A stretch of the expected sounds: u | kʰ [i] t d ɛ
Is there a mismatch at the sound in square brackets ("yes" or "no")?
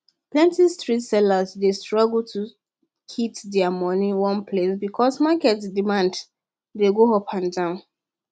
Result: no